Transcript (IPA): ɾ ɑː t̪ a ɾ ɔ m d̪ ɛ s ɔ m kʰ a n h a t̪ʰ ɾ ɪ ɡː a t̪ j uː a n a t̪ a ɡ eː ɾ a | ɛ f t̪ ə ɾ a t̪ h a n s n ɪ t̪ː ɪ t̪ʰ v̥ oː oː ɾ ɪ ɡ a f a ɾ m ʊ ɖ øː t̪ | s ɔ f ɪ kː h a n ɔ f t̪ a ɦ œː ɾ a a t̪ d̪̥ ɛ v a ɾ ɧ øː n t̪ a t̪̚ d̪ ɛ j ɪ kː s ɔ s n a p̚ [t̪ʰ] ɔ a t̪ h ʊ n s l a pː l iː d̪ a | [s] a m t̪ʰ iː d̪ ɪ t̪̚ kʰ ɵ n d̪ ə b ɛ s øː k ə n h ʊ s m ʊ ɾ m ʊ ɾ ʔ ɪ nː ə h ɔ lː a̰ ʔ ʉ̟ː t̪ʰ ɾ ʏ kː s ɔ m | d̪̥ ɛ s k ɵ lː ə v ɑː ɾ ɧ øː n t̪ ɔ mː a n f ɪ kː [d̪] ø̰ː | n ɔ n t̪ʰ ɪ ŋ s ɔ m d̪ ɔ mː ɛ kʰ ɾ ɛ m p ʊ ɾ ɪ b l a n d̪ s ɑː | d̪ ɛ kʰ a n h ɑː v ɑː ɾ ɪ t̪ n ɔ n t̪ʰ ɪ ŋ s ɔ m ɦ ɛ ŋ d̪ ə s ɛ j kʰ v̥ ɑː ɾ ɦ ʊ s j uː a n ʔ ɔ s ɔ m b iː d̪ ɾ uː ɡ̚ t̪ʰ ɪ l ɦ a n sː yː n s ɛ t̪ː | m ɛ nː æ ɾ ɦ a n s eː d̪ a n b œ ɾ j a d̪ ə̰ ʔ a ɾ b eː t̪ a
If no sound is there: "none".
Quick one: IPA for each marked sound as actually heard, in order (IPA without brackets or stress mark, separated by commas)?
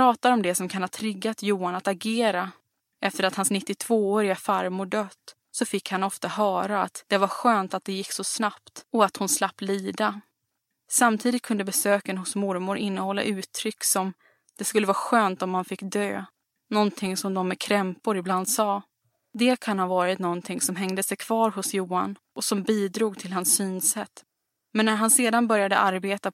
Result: t̪, s, d̪